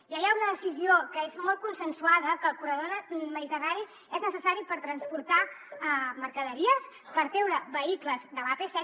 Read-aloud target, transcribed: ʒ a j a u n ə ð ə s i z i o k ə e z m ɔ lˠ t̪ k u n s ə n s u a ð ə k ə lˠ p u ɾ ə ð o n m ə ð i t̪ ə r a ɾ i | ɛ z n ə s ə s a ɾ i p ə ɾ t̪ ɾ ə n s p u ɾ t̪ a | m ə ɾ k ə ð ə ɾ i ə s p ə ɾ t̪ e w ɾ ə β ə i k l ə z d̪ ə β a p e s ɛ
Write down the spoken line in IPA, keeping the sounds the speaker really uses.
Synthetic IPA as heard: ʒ a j a u n ə ð ə s i z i o k ə e z m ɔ lˠ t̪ k u n s ə n s u a ð ə k ə lˠ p u ɾ ə ð o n m ə ð i t̪ ə r a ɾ i | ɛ z n ə s ə s a ɾ i p ə ɾ t̪ ɾ ə n s p u ɾ t̪ a | m ə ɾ k ə ð ə ɾ i ə s p ə ɾ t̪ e w ɾ ə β ə i k l ə z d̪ ə β a p e s ɛ